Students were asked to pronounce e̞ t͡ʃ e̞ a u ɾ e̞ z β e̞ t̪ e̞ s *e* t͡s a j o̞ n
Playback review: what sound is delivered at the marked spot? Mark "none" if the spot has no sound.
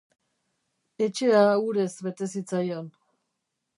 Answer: i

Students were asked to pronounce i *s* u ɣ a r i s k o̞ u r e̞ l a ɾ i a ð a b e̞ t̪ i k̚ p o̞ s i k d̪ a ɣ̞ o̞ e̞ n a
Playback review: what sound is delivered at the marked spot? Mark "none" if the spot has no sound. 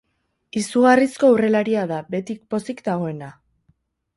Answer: s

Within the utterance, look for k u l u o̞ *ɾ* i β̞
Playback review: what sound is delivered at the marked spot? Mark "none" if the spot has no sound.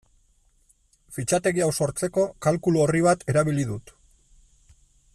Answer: r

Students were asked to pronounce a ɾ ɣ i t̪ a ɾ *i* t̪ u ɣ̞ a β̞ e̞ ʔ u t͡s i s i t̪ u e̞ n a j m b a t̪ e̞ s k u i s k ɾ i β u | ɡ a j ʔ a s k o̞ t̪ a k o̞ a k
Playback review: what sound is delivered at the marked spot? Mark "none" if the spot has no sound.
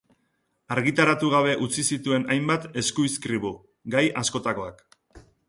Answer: a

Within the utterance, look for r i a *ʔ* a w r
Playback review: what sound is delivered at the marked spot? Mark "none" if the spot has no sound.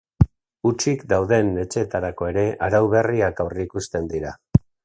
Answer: k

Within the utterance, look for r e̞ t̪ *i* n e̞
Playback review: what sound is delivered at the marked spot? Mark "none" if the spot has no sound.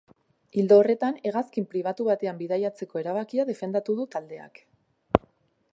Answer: a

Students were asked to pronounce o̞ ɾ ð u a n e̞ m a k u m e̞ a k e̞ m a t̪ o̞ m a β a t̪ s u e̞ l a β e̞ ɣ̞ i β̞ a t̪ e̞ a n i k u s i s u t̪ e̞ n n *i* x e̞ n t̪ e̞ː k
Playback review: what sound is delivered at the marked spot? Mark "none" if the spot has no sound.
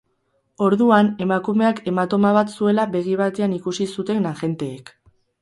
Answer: a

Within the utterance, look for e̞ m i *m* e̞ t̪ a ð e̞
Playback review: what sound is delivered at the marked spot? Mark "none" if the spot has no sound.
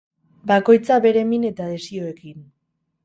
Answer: n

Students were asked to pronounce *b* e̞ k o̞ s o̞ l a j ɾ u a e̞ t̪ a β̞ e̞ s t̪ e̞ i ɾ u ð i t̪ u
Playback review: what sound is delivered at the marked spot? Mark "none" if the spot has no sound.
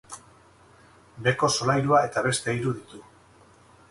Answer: b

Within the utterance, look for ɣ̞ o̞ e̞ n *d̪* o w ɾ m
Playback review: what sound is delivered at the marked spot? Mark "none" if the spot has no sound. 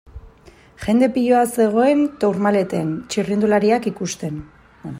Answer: t̪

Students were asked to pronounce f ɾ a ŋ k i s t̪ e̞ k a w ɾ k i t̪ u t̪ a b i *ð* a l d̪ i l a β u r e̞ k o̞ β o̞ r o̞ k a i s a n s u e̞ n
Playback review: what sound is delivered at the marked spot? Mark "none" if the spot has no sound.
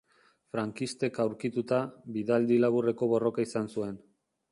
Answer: ð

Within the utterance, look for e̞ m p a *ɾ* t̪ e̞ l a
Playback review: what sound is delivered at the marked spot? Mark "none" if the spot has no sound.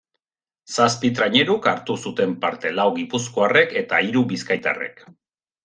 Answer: ɾ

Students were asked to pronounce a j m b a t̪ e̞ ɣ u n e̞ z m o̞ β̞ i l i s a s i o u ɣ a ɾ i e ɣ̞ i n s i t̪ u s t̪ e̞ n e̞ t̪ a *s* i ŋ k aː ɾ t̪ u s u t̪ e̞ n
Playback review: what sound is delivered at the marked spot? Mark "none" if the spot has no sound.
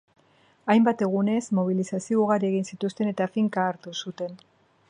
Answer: f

